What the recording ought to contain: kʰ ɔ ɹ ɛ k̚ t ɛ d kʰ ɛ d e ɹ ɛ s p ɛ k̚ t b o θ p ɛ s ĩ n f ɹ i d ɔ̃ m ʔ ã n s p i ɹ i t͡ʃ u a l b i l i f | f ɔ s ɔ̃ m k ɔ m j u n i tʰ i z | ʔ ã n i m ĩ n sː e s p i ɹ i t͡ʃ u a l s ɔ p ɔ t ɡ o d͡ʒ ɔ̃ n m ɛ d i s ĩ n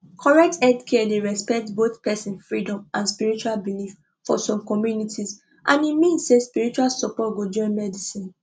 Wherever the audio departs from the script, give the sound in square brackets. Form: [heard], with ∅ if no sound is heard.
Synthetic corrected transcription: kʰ ɔ ɹ ɛ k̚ t ɛ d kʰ ɛ d e ɹ ɛ s p ɛ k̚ t b o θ p ɛ s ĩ n f ɹ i d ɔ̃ m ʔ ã n s p i ɹ i t͡ʃ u a l b i l i f | f ɔ s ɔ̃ m k ɔ m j u n i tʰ i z | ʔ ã n i m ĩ n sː e s p i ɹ i t͡ʃ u a l s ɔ p ɔ t ɡ o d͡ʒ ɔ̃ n m ɛ d i s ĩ n